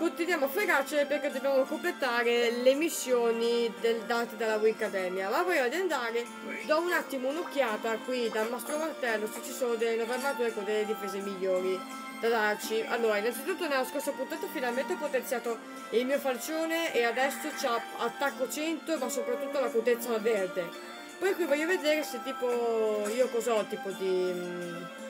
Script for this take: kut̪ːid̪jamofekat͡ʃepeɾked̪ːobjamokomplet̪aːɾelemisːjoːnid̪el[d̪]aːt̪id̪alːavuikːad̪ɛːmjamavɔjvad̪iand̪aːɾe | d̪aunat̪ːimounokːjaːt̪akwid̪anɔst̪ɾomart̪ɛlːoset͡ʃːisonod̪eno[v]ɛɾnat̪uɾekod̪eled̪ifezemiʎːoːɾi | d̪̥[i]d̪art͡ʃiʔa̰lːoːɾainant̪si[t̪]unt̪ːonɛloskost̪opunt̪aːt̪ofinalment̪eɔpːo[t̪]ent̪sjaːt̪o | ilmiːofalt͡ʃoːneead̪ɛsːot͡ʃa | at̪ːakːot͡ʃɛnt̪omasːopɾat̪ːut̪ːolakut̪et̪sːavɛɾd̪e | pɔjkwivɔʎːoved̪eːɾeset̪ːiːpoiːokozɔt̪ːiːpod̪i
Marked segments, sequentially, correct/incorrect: correct, correct, incorrect, correct, correct

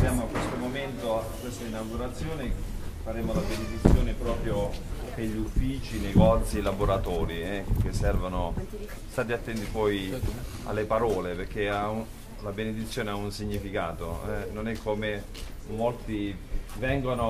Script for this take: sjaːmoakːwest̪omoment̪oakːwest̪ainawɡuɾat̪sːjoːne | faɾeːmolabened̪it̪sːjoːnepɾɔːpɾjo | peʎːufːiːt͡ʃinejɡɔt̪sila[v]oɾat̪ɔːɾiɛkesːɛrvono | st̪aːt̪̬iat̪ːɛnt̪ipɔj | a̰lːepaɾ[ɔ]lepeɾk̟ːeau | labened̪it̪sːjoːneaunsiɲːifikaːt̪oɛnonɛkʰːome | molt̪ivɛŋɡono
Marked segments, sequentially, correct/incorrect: incorrect, incorrect

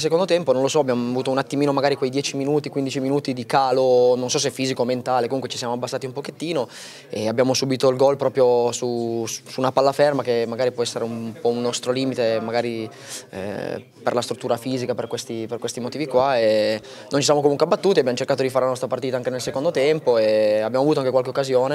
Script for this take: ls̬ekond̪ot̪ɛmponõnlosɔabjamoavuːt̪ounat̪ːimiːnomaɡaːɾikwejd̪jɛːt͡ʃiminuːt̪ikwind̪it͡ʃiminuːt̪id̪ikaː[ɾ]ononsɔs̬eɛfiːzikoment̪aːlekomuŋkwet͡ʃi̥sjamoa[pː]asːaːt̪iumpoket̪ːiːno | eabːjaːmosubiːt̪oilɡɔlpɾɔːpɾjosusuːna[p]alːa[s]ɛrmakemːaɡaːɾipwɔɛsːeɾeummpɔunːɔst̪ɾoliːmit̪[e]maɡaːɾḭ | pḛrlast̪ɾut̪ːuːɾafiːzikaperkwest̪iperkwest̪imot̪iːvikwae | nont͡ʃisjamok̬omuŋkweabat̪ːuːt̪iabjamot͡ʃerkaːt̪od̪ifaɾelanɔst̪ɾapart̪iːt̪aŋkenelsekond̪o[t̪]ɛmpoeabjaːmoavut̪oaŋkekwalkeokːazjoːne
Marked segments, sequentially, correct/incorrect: incorrect, incorrect, correct, incorrect, correct, correct

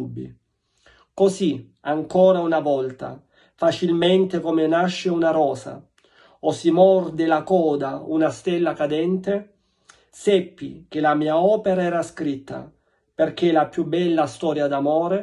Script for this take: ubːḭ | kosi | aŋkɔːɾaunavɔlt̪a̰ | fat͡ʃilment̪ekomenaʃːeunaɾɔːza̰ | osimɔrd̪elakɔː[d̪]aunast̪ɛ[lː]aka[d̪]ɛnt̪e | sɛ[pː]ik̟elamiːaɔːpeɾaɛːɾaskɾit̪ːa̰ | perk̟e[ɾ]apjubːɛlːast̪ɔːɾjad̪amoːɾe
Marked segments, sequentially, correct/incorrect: correct, correct, correct, correct, incorrect

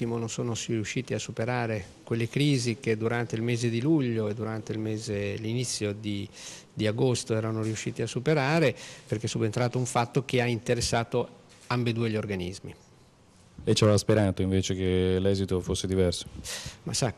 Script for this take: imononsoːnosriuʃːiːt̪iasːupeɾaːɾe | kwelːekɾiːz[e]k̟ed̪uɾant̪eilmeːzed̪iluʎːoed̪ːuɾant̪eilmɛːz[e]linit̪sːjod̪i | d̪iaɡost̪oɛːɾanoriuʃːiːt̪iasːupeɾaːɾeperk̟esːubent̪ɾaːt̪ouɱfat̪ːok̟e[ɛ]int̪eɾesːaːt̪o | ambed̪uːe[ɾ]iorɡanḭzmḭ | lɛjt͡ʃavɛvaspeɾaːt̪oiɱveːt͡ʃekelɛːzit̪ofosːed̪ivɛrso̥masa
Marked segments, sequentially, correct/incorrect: incorrect, correct, incorrect, incorrect

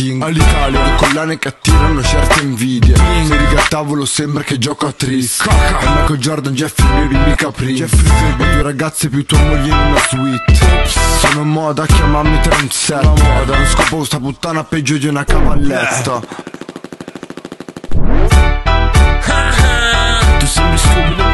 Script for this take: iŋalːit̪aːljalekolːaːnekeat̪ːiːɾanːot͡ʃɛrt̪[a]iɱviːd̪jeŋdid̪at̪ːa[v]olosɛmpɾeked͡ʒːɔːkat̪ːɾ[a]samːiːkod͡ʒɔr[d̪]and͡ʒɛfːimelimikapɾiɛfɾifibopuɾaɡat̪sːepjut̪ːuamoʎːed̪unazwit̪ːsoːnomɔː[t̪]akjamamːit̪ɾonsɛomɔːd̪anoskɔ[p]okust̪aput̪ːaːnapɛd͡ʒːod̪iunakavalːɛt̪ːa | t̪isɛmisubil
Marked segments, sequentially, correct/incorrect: incorrect, correct, incorrect, correct, incorrect, correct

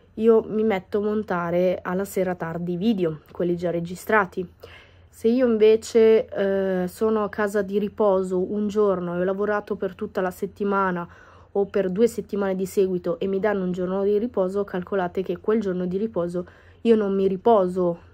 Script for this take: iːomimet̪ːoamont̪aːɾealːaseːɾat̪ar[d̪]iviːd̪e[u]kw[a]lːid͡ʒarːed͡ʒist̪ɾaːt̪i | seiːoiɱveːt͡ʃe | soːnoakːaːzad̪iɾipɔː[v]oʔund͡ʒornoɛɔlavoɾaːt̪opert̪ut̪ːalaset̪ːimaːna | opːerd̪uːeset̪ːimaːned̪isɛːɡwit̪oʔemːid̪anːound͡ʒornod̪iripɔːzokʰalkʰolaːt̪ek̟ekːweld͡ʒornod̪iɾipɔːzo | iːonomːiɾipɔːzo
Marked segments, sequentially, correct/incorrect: correct, incorrect, incorrect, incorrect

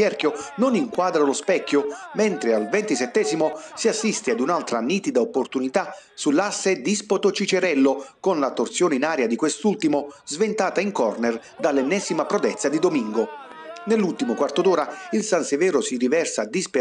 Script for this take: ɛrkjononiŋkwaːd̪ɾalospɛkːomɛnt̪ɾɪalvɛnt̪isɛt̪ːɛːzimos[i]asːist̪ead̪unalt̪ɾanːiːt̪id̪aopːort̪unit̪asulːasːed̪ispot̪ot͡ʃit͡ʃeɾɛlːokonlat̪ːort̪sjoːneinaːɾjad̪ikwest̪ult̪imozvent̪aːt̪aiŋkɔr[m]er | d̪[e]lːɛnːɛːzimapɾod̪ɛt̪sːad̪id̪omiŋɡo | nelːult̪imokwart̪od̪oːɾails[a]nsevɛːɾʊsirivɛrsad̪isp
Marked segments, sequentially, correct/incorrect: correct, incorrect, incorrect, correct

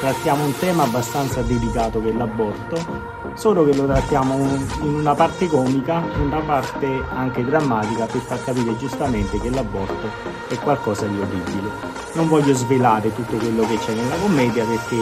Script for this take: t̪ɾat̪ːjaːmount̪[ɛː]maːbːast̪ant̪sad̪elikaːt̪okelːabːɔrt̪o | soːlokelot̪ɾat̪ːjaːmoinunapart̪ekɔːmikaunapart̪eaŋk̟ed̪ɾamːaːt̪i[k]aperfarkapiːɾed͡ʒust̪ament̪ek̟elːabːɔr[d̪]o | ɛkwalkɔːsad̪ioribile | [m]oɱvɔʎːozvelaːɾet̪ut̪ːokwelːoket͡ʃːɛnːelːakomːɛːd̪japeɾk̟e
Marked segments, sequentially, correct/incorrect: correct, correct, incorrect, incorrect

